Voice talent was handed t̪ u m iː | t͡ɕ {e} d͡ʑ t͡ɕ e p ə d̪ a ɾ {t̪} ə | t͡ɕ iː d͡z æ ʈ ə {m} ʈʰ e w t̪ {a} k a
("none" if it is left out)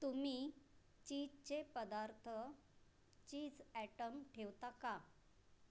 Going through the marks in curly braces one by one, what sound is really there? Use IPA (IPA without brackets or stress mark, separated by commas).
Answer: i, t̪ʰ, m, a